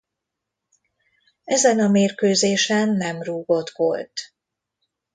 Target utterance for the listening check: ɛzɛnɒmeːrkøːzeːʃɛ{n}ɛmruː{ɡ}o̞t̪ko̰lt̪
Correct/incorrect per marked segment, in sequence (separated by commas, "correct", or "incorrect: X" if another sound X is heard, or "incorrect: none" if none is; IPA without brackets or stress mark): incorrect: nː, correct